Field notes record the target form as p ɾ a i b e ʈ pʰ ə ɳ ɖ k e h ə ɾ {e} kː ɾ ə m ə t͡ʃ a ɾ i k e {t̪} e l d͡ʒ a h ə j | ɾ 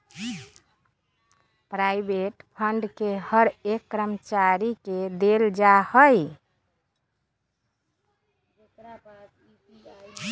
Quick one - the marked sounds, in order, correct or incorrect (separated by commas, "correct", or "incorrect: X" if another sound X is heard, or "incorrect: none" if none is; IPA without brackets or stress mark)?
correct, incorrect: d̪